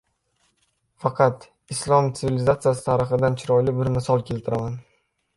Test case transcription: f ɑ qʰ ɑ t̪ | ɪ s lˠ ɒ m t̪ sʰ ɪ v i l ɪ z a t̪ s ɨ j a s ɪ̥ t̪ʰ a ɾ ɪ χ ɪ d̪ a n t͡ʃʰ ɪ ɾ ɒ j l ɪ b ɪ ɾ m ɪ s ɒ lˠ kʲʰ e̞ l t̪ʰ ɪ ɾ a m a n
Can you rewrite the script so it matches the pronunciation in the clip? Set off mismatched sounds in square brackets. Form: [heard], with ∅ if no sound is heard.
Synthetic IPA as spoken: f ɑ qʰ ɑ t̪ | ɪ s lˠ ɒ m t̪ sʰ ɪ v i l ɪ z a t̪ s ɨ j a s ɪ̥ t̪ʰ a ɾ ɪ χ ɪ d̪ a n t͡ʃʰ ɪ ɾ ɒ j l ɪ b ɪ ɾ m ɪ s ɒ lˠ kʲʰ e̞ l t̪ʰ ɪ ɾ a m a n